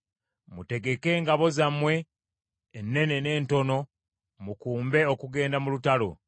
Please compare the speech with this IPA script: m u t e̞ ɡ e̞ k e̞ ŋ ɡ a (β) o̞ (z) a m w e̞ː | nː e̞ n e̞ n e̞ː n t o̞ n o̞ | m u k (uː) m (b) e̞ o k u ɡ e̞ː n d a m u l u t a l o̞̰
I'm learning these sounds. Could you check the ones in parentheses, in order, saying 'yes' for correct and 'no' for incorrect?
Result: yes, yes, yes, yes

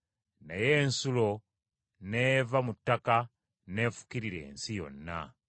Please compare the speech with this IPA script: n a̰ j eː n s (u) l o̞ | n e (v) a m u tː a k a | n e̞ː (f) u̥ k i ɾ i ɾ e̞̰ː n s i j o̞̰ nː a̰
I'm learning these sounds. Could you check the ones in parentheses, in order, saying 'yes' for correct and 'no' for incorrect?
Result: yes, yes, yes

